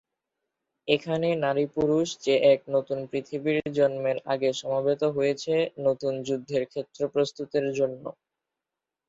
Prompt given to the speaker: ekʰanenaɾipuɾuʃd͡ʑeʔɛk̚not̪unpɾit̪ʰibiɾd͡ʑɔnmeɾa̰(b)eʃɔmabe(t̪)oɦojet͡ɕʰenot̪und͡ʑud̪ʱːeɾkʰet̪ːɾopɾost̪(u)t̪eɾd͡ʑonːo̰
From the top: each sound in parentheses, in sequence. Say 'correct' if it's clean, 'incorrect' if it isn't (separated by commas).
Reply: incorrect, correct, correct